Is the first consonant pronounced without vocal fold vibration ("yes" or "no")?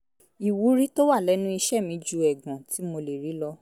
no